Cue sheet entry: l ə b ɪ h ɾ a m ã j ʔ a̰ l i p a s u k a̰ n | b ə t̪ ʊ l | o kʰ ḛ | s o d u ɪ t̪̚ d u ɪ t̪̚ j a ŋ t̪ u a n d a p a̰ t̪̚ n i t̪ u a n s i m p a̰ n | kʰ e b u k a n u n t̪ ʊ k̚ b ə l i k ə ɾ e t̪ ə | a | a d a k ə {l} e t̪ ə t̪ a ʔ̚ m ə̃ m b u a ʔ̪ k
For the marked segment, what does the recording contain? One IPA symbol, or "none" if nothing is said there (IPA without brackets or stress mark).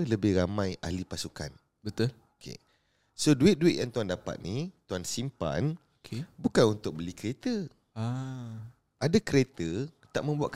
ɾ